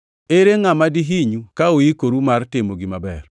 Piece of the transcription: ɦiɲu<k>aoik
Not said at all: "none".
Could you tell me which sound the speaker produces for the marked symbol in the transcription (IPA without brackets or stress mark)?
k